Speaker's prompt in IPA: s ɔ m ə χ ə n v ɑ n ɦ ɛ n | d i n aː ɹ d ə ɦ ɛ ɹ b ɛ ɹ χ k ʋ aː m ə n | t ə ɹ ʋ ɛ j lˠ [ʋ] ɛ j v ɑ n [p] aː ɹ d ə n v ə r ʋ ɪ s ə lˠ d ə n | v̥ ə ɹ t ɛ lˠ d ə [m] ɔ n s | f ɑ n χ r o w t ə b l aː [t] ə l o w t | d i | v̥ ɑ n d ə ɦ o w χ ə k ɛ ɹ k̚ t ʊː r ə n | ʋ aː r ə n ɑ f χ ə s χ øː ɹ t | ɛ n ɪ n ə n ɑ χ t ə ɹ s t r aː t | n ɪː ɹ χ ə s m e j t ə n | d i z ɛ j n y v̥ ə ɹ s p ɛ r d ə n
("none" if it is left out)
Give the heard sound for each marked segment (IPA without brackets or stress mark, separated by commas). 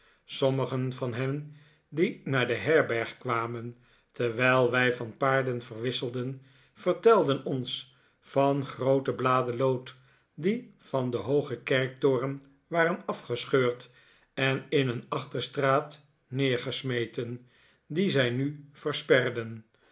ʋ, p, n, d